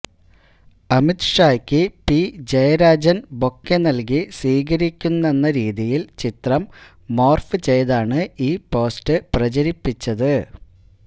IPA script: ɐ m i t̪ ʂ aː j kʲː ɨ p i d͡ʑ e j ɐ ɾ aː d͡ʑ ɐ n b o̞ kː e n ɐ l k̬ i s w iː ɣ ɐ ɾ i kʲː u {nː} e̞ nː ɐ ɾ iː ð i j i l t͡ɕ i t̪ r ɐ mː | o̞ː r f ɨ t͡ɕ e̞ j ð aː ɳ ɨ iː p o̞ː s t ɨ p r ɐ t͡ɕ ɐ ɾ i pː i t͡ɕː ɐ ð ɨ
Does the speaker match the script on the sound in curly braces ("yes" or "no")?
yes